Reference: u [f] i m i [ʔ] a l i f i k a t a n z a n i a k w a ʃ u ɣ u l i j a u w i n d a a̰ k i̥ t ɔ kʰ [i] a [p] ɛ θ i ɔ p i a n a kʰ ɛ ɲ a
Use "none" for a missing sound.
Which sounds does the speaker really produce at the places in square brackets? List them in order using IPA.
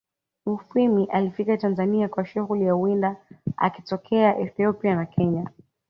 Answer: f, ʔ, ɛ, ʔ

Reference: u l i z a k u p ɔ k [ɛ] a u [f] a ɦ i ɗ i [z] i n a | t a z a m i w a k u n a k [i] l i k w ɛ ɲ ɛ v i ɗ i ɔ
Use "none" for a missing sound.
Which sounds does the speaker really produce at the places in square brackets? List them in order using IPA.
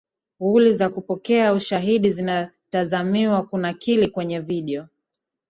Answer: ɛ, ʃ, z, i

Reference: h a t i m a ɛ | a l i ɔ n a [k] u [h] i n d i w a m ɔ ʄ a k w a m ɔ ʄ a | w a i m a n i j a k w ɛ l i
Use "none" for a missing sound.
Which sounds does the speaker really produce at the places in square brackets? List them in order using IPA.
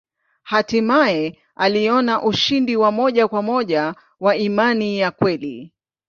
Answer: ʔ, ʃ

